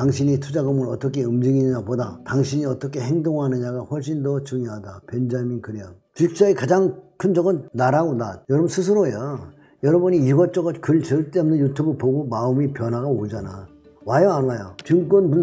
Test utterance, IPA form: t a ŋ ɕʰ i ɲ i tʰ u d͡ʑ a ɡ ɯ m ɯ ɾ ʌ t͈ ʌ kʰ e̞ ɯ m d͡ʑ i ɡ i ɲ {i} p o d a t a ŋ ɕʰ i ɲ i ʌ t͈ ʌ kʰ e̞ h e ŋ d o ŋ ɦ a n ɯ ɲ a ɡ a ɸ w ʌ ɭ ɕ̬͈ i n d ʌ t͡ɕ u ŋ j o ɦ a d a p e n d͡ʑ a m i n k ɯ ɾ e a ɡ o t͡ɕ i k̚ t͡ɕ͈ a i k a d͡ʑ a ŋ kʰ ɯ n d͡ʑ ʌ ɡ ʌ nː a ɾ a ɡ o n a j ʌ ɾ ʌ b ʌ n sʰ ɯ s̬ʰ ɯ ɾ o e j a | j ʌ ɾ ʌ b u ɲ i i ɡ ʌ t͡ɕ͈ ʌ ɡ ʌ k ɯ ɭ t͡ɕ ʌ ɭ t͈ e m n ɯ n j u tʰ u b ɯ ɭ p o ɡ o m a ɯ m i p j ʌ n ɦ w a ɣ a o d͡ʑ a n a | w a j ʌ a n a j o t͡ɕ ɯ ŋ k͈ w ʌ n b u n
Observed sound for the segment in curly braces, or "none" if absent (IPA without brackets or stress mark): a